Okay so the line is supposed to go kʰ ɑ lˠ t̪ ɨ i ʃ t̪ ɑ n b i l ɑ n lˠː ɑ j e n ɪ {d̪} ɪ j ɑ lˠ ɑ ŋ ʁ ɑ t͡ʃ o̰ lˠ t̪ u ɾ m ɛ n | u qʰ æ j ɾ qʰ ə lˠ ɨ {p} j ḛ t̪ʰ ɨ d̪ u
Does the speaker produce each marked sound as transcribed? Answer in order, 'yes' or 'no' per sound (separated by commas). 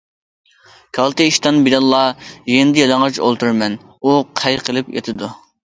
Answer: yes, yes